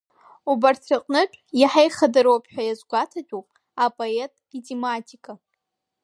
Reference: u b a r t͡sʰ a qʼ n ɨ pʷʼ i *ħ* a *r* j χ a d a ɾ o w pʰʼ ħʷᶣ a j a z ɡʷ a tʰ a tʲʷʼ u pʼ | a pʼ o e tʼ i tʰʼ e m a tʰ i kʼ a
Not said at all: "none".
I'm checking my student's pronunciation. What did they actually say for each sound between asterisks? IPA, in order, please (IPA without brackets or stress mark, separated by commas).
ħ, none